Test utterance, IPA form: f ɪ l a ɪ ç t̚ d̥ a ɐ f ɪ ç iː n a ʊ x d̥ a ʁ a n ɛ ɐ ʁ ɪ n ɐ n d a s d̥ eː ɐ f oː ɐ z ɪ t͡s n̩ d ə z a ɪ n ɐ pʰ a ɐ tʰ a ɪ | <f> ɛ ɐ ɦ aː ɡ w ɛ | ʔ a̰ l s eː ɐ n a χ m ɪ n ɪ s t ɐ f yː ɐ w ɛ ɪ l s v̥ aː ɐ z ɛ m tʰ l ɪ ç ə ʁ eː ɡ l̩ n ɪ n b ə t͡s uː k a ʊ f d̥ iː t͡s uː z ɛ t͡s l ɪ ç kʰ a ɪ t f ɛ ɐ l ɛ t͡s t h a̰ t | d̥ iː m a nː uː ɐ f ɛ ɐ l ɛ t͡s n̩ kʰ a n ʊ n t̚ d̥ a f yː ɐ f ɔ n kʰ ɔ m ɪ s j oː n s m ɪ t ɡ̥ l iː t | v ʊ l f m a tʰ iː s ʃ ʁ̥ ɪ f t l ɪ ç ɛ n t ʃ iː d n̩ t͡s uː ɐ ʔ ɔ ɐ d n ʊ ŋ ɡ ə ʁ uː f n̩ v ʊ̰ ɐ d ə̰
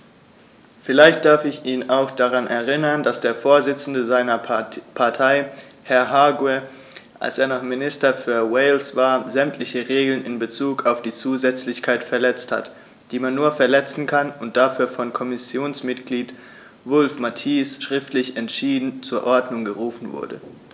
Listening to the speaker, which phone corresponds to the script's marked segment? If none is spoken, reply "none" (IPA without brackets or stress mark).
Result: h